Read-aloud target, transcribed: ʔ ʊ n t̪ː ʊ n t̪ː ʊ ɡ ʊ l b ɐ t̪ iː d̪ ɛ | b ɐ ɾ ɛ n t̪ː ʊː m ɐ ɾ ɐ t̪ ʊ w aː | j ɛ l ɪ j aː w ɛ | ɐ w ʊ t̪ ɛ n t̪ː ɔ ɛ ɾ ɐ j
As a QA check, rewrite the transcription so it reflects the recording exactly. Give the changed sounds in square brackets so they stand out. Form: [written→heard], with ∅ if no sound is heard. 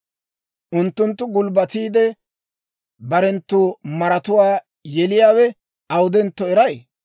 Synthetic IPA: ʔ ʊ n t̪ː ʊ n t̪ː ʊ ɡ ʊ l b ɐ t̪ iː d̪ ɛ | b ɐ ɾ ɛ n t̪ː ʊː m ɐ ɾ ɐ t̪ ʊ w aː | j ɛ l ɪ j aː w ɛ | ɐ w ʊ [t̪→d̪] ɛ n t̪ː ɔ ɛ ɾ ɐ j